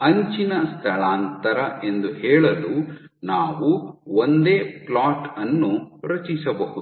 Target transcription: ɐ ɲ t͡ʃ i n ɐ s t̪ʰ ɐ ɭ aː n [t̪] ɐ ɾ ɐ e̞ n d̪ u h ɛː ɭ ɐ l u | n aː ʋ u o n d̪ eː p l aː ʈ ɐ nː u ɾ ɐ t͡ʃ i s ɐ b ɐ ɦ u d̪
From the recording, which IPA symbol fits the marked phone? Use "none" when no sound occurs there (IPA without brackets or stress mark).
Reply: t̪